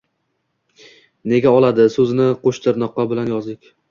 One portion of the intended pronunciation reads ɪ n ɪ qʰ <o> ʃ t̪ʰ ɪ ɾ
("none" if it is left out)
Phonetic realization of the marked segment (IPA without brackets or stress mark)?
o